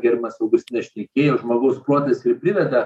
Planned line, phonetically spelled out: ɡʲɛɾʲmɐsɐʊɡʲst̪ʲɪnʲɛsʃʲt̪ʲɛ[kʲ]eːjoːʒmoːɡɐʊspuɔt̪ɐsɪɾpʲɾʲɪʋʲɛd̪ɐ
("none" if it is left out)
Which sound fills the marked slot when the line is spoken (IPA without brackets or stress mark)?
kʲ